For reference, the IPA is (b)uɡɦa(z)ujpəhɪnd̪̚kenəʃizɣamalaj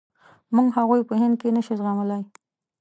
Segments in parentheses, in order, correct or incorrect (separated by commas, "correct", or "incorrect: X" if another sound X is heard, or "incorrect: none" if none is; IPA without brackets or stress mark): incorrect: m, incorrect: ɣ